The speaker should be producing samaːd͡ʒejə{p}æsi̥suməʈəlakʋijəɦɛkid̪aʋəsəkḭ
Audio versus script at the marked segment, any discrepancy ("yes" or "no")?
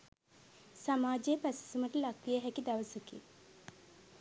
no